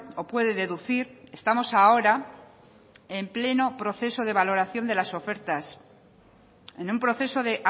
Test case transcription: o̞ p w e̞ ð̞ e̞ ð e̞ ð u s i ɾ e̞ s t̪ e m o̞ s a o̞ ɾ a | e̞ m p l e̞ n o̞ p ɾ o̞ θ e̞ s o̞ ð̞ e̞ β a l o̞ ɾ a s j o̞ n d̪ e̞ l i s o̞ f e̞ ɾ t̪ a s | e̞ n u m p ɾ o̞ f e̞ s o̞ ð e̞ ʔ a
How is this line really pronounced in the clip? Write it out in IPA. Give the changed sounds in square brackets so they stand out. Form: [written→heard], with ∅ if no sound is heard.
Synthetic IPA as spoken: o̞ p w e̞ ð̞ e̞ ð e̞ ð u [s→θ] i ɾ e̞ s t̪ [e→a] m o̞ s a o̞ ɾ a | e̞ m p l e̞ n o̞ p ɾ o̞ θ e̞ s o̞ ð̞ e̞ β a l o̞ ɾ a [s→θ] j o̞ n d̪ e̞ l [i→a] s o̞ f e̞ ɾ t̪ a s | e̞ n u m p ɾ o̞ [f→θ] e̞ s o̞ ð e̞ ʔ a